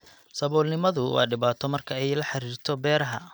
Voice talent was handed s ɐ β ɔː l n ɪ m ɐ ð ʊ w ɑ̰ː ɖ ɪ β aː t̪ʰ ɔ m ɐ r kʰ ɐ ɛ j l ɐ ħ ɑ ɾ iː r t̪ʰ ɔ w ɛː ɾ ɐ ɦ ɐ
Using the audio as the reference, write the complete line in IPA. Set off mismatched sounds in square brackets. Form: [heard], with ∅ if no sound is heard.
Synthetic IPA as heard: s ɐ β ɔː l n ɪ m ɐ ð ʊ w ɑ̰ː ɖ ɪ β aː t̪ʰ ɔ m ɐ r kʰ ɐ ɛ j l ɐ ħ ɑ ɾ iː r t̪ʰ ɔ [b] ɛː ɾ ɐ ɦ ɐ